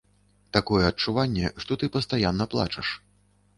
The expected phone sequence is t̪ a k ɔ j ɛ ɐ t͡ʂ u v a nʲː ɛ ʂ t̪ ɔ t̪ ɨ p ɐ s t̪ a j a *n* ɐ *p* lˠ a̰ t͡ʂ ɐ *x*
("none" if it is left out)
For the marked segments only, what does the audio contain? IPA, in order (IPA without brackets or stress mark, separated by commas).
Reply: nː, p, ʂ